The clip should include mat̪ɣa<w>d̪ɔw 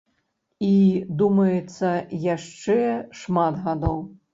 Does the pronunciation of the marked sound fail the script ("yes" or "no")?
yes